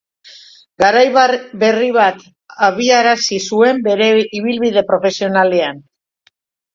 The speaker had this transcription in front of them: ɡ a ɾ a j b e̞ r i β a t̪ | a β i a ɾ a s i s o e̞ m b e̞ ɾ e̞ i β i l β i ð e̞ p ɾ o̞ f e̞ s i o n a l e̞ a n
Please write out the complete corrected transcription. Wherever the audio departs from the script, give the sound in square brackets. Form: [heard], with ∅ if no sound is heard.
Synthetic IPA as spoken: ɡ a ɾ a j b e̞ r i β a t̪ | a β i a ɾ a s i s [u] e̞ m b e̞ ɾ e̞ i β i l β i ð e̞ p ɾ o̞ f e̞ s i o n a l e̞ a n